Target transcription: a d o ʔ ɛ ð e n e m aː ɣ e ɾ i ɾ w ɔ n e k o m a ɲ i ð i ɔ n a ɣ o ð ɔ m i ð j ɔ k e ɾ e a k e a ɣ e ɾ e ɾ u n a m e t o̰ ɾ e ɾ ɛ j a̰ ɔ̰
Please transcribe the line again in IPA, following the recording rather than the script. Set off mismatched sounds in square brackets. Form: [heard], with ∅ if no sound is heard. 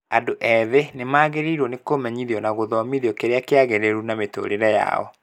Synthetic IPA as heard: a d o ʔ ɛ ð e n e m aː ɣ e ɾ i ɾ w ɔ n e k o m [ɛ] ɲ i ð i ɔ n a ɣ o ð ɔ m i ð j ɔ k e ɾ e a k e a ɣ e ɾ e ɾ u n a m e t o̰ ɾ e ɾ ɛ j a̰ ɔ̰